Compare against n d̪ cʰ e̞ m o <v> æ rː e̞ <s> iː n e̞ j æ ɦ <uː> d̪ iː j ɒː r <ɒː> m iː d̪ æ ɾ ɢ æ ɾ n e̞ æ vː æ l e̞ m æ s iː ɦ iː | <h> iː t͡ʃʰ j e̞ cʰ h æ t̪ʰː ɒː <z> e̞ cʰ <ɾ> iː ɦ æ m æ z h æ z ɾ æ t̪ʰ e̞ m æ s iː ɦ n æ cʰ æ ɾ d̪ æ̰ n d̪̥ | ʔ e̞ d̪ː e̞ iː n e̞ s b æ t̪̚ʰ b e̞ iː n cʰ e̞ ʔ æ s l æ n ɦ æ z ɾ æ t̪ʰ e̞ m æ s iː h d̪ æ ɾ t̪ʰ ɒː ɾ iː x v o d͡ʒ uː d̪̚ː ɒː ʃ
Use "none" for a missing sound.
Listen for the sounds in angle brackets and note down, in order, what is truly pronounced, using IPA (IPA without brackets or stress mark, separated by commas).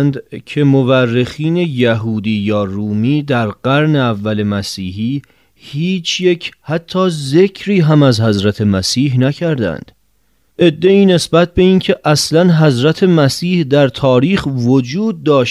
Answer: v, x, uː, uː, h, z, ɾ